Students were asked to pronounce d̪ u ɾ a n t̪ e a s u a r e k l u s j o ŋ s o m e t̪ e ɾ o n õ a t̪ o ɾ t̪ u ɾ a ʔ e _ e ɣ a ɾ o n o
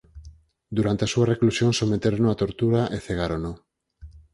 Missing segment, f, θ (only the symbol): θ